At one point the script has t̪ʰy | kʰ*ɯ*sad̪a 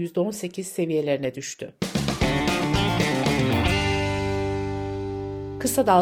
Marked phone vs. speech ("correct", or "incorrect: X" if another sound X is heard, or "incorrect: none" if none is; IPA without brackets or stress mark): correct